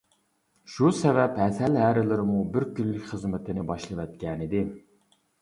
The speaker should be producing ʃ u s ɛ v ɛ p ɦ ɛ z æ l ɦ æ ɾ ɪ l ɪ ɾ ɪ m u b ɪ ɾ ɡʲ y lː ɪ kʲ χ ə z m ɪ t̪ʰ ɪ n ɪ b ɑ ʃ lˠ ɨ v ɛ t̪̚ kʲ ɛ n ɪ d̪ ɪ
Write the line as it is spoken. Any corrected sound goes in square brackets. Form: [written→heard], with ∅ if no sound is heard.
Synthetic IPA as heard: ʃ u s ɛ v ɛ p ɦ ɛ [z→s] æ l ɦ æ ɾ ɪ l ɪ ɾ ɪ m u b ɪ ɾ [ɡʲ→kʲ] y lː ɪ kʲ χ ə z m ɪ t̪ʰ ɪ n ɪ b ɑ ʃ lˠ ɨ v ɛ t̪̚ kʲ ɛ n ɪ d̪ ɪ